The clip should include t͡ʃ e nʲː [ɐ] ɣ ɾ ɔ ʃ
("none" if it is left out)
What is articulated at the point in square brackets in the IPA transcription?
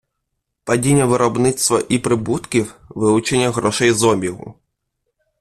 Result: ɐ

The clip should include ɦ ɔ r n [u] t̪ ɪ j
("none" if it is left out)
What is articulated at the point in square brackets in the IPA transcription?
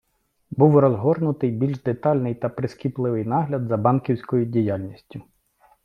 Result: ʊ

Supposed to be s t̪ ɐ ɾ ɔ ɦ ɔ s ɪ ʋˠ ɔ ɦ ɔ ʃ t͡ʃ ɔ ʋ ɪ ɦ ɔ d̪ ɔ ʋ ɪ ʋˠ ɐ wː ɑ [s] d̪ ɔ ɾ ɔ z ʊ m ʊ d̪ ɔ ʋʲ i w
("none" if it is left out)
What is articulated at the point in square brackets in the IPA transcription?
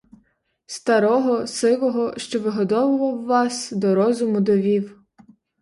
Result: s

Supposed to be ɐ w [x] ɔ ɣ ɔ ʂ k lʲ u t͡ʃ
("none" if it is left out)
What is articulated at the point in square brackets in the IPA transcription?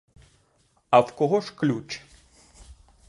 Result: k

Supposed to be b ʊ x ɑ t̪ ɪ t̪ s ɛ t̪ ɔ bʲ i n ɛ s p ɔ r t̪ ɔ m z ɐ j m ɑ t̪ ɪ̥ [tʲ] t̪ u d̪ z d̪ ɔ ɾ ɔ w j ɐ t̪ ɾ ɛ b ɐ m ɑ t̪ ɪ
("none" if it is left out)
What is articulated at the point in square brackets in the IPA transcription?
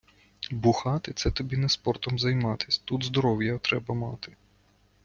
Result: sʲ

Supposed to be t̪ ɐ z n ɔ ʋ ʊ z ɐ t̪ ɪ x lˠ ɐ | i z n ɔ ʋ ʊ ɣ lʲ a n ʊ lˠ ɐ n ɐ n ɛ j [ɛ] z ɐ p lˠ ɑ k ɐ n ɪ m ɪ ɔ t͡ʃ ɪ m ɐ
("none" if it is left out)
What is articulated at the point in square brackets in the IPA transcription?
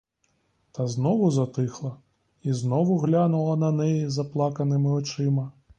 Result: i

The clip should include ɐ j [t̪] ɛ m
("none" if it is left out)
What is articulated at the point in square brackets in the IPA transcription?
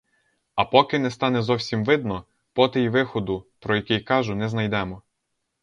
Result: d̪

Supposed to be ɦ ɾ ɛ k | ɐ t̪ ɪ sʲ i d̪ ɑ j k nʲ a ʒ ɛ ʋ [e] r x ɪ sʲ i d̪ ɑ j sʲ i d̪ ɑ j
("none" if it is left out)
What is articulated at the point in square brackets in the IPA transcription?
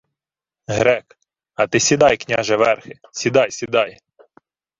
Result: ɛ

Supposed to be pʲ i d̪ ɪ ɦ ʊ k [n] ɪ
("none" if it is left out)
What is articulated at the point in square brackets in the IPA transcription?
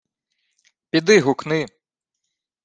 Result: n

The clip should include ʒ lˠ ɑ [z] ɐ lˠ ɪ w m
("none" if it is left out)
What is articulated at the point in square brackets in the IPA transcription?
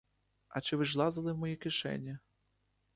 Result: z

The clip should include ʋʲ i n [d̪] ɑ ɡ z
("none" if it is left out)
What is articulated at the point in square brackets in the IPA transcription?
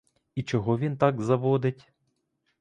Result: t̪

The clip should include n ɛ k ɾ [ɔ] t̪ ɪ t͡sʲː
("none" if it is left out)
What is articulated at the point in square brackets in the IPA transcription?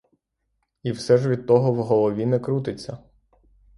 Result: u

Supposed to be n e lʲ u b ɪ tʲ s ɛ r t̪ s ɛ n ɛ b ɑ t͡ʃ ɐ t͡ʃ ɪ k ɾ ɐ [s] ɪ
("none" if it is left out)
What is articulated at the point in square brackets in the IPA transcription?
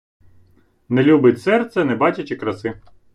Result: s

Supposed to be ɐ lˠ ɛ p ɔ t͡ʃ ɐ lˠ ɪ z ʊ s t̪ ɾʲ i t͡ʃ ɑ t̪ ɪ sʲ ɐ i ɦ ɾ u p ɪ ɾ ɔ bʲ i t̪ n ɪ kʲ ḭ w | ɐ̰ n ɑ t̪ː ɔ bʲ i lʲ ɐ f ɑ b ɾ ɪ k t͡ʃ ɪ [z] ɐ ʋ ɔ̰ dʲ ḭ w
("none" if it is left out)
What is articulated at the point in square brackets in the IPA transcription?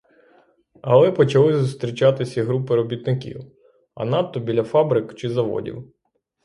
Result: z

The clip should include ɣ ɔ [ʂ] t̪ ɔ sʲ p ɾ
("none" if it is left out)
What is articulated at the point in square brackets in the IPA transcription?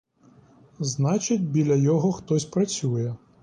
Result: x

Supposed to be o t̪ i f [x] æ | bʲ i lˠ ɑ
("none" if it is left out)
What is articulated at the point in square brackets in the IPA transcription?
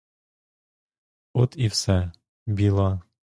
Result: s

